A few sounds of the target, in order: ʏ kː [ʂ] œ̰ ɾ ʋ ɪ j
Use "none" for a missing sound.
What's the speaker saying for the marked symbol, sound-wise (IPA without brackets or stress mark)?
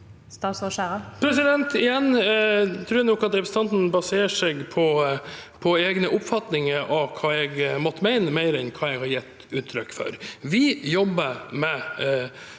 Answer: f